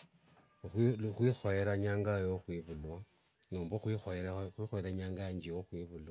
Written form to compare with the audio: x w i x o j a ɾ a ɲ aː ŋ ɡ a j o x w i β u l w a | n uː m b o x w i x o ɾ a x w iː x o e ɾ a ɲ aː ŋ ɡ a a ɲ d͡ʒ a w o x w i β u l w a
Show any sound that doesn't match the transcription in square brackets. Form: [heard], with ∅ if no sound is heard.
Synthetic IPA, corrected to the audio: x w i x o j [e] ɾ a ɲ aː ŋ ɡ a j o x w i β u l w a | n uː m b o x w i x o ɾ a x w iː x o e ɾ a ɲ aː ŋ ɡ a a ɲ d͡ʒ [i] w o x w i β u l w a